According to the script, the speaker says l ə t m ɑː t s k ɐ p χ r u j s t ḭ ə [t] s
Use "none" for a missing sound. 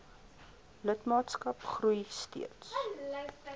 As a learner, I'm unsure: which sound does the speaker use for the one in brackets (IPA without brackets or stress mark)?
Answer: t